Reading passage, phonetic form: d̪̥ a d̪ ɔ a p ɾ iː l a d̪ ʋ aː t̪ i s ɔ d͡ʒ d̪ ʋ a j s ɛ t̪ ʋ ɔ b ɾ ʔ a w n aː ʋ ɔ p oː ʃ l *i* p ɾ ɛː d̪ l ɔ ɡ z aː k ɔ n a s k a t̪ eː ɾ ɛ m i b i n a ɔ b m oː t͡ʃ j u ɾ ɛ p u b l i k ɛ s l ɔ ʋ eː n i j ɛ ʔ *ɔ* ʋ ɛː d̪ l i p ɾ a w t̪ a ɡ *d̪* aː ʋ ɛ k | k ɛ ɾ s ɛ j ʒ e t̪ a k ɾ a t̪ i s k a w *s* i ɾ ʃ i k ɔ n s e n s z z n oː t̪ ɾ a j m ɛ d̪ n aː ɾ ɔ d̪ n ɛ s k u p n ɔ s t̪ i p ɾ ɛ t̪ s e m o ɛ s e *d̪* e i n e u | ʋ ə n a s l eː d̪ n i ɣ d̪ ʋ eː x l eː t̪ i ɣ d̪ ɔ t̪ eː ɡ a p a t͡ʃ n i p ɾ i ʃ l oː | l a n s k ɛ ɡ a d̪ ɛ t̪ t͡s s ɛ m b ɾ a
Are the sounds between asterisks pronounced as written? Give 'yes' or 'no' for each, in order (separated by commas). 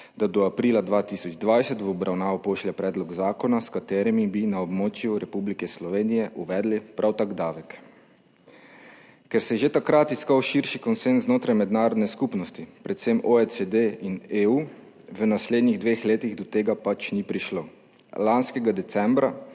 no, no, yes, no, yes